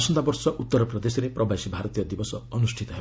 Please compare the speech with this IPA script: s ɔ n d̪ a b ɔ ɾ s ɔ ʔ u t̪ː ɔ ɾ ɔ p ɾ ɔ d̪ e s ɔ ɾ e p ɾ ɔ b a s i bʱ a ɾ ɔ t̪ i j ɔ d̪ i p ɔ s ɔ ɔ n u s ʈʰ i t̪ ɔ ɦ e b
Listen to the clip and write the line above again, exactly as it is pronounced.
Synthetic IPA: s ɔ n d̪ a b ɔ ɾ s ɔ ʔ u t̪ː ɔ ɾ ɔ p ɾ ɔ d̪ e s ɔ ɾ e p ɾ ɔ b a s i bʱ a ɾ ɔ t̪ i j ɔ d̪ i b ɔ s ɔ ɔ n u s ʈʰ i t̪ ɔ ɦ e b